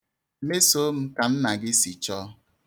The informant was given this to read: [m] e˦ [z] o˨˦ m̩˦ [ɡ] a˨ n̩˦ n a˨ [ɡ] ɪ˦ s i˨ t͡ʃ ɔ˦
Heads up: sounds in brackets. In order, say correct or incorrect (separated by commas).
correct, incorrect, incorrect, correct